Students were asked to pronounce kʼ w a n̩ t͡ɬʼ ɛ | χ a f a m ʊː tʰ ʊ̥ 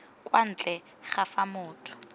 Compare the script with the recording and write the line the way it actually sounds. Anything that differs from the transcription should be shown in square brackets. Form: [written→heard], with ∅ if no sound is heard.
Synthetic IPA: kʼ w a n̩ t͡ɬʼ ɛ | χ a f a m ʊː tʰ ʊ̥